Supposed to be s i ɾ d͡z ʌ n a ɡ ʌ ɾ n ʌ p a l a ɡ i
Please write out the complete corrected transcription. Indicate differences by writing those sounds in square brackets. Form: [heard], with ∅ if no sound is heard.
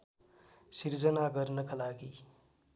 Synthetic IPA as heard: s i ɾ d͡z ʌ n a ɡ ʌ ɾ n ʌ [k] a l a ɡ i